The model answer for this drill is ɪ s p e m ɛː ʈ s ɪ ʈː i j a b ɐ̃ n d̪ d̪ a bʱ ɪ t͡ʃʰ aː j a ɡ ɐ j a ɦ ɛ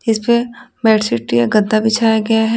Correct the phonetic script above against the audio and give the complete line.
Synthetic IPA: ɪ s p e m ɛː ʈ s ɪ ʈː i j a ɡ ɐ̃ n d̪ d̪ a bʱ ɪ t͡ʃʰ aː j a ɡ ɐ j a ɦ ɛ